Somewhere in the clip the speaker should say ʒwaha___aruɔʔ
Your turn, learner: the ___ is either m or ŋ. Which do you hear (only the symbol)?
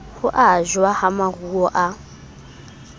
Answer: m